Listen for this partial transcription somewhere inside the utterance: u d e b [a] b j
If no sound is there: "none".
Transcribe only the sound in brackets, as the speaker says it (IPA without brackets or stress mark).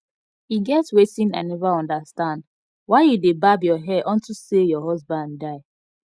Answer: a